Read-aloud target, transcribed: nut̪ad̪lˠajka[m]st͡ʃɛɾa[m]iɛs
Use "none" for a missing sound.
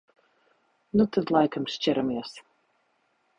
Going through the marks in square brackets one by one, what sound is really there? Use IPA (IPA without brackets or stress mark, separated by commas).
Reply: m, m